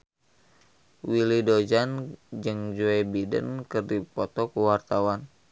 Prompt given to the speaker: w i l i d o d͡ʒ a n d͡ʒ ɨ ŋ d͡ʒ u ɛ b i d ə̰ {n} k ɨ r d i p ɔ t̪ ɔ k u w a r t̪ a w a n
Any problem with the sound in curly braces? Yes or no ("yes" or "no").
no